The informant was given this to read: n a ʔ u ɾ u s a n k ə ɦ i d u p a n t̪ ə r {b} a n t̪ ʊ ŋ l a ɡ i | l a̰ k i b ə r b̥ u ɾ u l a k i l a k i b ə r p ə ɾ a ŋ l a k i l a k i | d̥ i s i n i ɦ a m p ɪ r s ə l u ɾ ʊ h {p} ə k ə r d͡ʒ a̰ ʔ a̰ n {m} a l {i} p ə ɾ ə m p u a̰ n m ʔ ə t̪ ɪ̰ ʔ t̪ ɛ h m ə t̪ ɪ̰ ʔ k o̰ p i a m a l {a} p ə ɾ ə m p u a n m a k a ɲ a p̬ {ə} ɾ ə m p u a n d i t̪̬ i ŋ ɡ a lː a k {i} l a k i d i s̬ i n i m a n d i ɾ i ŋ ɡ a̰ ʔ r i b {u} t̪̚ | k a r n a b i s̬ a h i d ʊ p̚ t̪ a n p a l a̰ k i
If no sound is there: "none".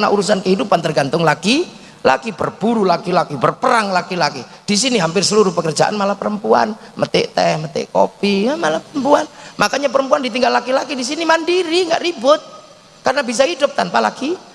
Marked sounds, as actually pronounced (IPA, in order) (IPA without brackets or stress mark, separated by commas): ɡ, p, m, a, a, ə, i, ʊ